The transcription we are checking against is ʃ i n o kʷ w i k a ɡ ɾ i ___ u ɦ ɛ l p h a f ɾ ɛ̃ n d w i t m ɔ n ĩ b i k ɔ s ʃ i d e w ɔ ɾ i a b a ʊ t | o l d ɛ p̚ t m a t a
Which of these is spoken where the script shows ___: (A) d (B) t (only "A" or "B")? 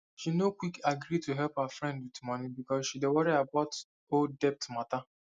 B